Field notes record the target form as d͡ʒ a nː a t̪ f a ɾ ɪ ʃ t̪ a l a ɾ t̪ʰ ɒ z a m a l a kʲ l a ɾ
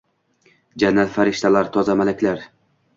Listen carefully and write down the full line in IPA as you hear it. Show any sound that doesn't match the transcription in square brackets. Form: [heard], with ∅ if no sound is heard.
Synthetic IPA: d͡ʒ a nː a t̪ f a ɾ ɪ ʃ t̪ a l a ɾ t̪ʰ ɒ z a m a l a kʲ l a ɾ